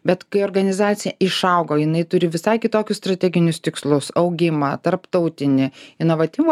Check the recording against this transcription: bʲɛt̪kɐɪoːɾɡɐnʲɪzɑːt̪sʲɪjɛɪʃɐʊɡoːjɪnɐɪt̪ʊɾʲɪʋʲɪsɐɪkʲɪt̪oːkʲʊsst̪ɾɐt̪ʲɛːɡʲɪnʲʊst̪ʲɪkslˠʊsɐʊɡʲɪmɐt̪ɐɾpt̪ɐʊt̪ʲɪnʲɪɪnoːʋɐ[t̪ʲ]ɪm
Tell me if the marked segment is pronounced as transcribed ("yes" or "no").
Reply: yes